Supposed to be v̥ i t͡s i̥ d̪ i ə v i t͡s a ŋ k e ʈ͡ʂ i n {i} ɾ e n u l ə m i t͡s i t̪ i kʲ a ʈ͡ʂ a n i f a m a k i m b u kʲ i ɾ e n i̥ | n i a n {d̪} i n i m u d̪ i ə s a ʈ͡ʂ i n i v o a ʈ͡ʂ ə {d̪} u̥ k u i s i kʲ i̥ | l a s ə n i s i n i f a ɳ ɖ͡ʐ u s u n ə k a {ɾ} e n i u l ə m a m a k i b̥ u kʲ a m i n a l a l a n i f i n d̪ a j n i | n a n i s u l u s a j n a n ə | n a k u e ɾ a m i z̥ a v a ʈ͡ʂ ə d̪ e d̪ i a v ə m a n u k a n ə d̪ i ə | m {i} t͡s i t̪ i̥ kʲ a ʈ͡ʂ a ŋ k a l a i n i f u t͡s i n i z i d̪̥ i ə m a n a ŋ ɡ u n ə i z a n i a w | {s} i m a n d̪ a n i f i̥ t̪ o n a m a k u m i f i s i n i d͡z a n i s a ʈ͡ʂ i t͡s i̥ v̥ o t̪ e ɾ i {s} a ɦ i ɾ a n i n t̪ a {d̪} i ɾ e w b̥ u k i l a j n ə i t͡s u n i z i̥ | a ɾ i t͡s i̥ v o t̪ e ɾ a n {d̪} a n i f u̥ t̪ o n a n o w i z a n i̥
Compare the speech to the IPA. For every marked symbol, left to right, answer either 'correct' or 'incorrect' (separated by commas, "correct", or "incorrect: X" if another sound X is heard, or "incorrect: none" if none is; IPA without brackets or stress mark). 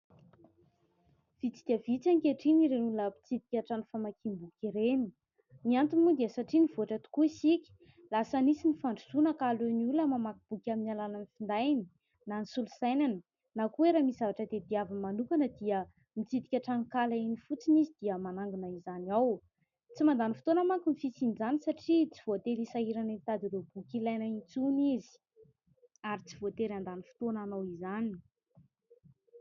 correct, incorrect: t̪, incorrect: t̪, incorrect: l, correct, incorrect: t͡s, correct, correct, correct